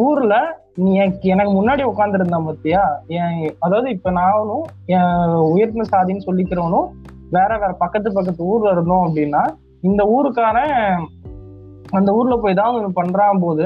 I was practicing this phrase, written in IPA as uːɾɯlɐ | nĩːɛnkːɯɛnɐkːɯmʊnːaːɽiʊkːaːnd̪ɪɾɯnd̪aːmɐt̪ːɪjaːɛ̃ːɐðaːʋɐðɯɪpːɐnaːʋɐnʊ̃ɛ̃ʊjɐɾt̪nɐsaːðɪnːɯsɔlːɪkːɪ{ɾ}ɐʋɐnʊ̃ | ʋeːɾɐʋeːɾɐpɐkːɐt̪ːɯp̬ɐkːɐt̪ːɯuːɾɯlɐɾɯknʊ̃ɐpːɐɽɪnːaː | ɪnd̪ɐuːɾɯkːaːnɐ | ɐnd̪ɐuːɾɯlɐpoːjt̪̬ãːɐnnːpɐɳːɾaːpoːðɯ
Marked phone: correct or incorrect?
correct